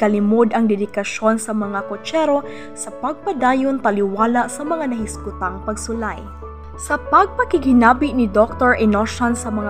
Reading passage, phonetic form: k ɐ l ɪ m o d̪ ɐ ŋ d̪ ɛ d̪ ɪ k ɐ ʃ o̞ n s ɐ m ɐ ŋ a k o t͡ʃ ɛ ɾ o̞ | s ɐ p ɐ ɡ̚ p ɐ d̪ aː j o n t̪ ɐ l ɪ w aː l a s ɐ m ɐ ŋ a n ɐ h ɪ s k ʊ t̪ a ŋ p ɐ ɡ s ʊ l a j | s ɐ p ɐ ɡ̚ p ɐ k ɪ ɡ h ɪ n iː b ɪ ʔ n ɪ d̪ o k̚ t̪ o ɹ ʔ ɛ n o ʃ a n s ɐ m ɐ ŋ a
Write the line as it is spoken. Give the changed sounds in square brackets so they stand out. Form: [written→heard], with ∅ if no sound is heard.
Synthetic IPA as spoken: k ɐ l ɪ m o d̪ ɐ ŋ d̪ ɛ d̪ ɪ k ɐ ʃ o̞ n s ɐ m ɐ ŋ a k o t͡ʃ ɛ ɾ o̞ | s ɐ p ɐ ɡ̚ p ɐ d̪ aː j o n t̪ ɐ l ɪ w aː l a s ɐ m ɐ ŋ a n ɐ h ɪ s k ʊ t̪ a ŋ p ɐ ɡ s ʊ l a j | s ɐ p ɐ ɡ̚ p ɐ k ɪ ɡ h ɪ n [iː→aː] b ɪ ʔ n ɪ d̪ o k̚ t̪ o ɹ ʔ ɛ n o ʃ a n s ɐ m ɐ ŋ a